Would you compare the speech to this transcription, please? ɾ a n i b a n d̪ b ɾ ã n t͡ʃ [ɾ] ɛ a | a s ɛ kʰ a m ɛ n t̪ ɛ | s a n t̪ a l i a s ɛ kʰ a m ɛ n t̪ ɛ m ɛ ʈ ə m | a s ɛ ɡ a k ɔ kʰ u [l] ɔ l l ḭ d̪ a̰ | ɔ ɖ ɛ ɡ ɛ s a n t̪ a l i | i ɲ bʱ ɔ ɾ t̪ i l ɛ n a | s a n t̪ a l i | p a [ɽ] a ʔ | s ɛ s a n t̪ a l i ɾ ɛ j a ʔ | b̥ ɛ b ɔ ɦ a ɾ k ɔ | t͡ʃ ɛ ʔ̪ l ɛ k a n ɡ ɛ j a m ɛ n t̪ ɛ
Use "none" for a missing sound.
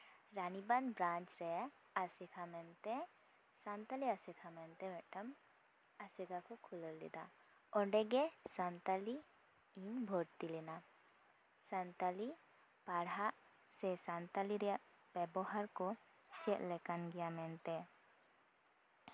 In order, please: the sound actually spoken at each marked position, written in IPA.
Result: ɾ, l, ɽ

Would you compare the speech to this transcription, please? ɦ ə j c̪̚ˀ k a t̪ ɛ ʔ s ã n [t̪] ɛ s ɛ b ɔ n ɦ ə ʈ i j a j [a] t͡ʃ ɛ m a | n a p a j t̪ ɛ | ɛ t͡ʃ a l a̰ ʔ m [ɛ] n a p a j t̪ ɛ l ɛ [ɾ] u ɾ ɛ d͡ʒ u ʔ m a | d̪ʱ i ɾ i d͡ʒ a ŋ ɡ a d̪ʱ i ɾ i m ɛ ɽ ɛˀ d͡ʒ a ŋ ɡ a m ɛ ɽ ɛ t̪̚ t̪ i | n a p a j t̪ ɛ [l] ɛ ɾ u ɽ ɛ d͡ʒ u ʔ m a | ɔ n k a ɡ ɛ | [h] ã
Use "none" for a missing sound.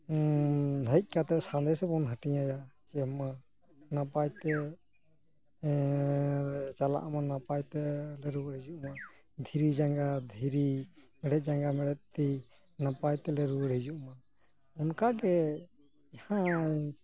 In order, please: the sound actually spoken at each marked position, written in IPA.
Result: d̪, a, a, ɾ, l, h

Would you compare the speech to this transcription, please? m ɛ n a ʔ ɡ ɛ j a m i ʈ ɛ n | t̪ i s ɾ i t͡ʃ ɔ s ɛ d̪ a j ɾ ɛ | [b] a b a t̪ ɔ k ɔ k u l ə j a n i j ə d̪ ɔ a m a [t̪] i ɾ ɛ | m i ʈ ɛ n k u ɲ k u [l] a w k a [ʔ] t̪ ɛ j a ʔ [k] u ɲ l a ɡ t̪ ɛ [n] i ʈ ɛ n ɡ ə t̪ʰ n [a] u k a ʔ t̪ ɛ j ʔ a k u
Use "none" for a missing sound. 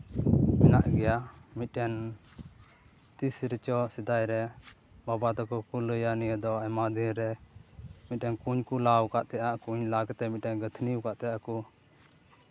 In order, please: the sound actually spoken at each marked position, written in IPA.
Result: b, d̪, l, ʔ, k, m, i

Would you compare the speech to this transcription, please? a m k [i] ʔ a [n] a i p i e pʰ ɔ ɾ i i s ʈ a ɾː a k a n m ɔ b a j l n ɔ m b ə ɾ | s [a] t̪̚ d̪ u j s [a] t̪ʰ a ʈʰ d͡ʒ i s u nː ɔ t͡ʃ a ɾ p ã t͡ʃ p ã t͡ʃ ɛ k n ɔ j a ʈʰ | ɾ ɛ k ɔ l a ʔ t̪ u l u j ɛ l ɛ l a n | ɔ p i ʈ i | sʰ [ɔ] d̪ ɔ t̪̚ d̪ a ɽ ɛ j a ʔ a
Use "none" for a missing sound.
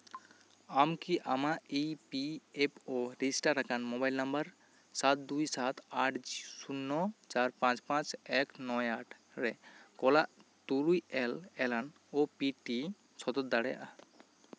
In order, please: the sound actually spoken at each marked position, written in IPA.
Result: i, m, a, a, ɔ

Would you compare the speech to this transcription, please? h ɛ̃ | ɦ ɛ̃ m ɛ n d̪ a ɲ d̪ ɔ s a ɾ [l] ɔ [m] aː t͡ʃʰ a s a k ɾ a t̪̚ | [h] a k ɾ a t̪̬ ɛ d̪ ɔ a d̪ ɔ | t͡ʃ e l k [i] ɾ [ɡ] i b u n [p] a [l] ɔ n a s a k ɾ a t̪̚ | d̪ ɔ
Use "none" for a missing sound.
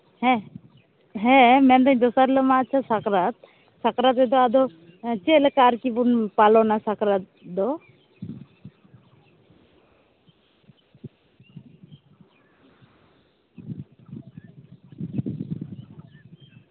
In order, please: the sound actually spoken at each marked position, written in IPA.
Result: l, m, s, a, k, p, l

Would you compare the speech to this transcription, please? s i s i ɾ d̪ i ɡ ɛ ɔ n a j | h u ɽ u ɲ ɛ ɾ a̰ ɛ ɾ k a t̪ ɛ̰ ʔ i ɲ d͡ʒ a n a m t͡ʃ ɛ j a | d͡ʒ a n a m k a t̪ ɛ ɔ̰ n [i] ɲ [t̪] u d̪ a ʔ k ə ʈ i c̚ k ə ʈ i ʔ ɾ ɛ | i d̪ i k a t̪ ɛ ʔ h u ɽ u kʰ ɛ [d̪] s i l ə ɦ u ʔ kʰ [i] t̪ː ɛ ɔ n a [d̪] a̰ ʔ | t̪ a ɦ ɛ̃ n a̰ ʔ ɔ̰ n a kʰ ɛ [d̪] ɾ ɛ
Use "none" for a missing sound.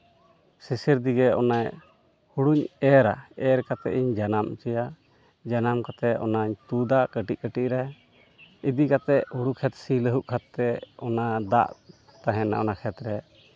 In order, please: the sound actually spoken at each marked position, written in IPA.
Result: a, t̪, t̪, a, d̪, t̪

